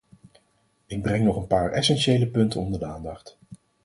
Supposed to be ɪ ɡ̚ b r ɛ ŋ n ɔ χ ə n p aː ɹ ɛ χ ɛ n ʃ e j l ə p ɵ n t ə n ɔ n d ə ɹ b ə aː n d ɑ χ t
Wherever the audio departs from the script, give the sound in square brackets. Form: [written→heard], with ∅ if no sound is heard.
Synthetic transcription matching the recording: ɪ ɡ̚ b r ɛ ŋ n ɔ χ ə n p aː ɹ ɛ [χ→s] ɛ n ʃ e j l ə p ɵ n t ə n ɔ n d ə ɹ [b→d] ə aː n d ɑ χ t